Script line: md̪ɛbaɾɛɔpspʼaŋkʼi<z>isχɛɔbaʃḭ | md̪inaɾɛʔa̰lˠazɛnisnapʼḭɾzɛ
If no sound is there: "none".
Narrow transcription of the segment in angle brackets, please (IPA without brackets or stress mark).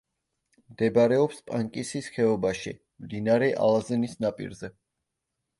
s